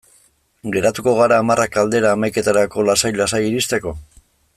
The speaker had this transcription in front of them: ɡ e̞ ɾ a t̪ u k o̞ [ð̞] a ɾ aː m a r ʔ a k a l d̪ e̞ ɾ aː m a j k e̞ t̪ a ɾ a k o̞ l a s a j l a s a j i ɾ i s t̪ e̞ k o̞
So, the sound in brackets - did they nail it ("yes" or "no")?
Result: no